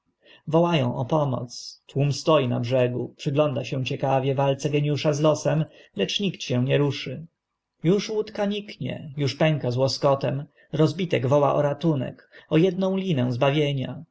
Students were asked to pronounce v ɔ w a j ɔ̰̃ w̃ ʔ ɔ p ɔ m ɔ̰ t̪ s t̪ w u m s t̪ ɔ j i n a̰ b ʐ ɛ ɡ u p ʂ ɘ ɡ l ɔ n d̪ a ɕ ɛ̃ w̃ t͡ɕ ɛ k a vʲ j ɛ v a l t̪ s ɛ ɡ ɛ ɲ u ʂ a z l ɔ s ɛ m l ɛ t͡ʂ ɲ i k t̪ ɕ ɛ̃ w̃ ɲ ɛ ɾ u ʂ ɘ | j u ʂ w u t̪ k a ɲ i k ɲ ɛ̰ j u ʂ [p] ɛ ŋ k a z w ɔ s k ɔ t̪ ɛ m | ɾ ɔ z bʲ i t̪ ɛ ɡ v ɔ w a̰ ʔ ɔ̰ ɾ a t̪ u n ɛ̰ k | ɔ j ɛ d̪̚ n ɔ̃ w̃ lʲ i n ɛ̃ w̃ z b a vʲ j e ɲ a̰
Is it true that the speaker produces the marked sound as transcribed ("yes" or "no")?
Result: yes